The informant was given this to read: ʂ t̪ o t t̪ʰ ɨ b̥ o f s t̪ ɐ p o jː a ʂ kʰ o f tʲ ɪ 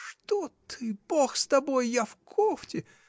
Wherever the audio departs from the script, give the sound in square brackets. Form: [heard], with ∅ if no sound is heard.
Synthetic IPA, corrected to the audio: ʂ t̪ o t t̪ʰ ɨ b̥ o [x] s t̪ ɐ [b] o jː a [f] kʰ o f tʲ ɪ